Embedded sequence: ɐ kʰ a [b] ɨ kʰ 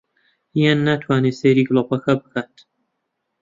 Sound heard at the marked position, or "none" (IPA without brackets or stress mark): b